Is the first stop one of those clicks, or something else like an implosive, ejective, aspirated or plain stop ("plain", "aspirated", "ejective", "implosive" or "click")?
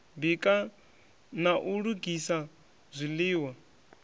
plain